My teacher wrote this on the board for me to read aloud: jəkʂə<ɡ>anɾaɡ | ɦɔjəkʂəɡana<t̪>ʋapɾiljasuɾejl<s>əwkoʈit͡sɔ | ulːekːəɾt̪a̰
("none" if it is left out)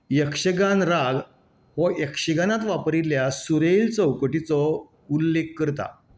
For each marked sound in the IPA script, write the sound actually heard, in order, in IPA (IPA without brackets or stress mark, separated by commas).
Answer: ɡ, t̪, t͡s